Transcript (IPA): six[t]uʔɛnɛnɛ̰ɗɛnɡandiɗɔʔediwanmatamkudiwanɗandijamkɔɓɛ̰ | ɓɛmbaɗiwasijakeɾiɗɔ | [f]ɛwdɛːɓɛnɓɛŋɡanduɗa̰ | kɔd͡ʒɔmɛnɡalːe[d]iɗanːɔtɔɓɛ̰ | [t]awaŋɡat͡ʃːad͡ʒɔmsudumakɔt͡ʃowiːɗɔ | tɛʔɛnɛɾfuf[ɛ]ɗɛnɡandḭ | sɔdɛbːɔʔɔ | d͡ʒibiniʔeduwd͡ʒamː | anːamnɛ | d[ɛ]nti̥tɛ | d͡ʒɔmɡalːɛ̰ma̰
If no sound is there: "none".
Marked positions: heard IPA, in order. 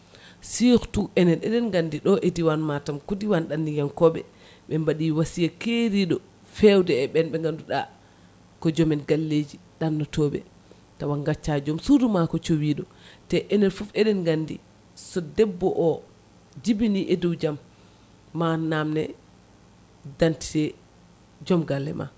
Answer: t, f, d͡ʒ, t, ɛ, a

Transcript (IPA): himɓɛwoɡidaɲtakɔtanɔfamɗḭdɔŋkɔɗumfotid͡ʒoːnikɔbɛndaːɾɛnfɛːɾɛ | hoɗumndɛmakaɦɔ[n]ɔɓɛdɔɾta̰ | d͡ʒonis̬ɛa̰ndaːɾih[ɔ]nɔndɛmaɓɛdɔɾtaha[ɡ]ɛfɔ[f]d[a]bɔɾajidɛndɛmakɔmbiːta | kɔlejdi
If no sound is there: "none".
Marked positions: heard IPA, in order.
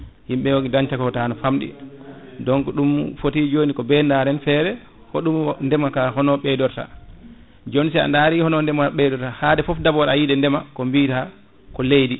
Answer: n, ɔ, d, f, a

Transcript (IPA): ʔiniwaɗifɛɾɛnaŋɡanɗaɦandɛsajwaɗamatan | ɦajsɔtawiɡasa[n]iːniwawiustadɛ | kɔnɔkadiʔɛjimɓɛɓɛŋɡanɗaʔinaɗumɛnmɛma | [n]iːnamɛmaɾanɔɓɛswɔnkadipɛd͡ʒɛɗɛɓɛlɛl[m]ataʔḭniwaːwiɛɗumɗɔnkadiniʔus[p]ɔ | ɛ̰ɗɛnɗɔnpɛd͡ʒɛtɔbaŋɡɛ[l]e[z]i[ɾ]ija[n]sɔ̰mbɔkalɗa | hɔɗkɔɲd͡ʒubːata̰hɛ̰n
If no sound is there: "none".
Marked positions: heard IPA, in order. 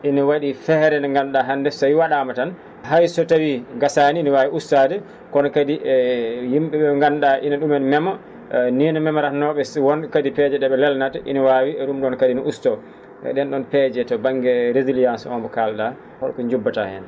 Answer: n, n, n, t, ɾ, z, l, n

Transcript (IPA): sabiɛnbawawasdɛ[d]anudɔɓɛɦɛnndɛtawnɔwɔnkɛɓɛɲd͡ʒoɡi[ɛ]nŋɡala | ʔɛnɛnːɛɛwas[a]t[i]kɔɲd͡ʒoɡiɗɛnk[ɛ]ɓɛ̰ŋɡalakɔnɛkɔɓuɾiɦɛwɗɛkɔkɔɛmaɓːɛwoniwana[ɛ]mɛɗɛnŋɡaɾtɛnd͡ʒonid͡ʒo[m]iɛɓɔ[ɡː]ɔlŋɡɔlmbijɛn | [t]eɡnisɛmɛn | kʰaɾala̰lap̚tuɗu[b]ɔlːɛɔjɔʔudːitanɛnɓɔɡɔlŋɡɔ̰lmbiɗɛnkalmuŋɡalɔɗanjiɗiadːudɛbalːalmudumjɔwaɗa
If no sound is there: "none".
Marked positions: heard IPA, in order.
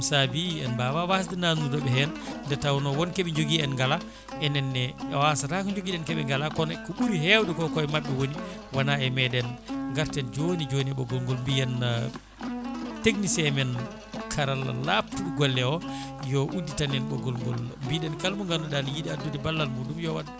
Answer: n, ɛ, a, a, ɛ, ɛ, n, ɡ, t, ɡ

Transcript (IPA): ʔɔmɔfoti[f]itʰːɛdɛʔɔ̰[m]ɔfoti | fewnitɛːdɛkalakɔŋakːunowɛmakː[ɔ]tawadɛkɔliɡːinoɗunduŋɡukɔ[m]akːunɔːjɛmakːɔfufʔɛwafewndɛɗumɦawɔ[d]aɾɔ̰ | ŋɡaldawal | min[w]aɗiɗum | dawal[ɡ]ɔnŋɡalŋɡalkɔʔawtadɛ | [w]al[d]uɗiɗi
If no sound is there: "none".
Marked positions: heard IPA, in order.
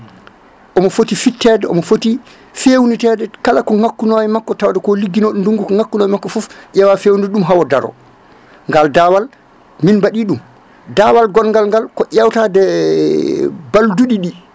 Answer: f, m, ɔ, ŋ, d, b, ɡ, b, d

